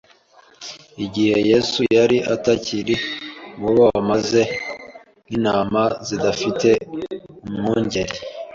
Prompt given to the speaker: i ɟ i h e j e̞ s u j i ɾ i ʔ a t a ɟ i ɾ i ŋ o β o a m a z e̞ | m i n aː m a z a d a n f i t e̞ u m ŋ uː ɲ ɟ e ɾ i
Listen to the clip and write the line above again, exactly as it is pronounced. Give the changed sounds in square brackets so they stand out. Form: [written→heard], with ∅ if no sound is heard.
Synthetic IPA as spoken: i ɟ i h e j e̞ s u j [i→a] ɾ i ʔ a t a [ɟ→c] i ɾ i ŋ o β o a m a z e̞ | [m→n] i n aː m a z [a→i] d a [n→∅] f i t e̞ u m ŋ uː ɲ ɟ e ɾ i